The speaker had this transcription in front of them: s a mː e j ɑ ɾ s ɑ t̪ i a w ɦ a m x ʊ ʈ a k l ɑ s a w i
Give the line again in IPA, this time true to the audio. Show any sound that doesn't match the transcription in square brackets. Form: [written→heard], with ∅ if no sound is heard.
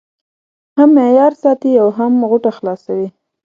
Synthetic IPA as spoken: [s→h] a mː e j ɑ ɾ s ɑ t̪ i a w ɦ a m [x→ɣ] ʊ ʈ a [k→x] l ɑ s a w i